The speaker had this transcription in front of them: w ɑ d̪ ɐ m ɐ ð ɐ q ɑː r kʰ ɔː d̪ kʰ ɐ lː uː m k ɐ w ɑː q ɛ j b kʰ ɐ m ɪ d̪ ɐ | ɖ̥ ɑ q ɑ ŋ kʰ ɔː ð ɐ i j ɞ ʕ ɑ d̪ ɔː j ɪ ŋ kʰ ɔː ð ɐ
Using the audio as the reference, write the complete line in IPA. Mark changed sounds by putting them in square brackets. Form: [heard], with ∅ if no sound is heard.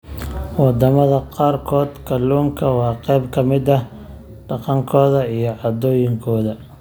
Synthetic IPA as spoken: w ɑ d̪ ɐ m ɐ ð ɐ q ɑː r kʰ ɔː d̪ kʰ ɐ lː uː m [kʰ] ɐ w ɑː q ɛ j b kʰ ɐ m ɪ d̪ ɐ | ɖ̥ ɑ q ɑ ŋ kʰ ɔː ð ɐ i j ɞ ʕ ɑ d̪ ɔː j ɪ ŋ kʰ ɔː ð ɐ